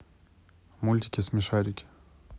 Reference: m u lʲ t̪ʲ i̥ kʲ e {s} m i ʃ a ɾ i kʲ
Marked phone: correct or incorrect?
correct